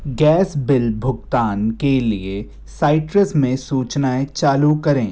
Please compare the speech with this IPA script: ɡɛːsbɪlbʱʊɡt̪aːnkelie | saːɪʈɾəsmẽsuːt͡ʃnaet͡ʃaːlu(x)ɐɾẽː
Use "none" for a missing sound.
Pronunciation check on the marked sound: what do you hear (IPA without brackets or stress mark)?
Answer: k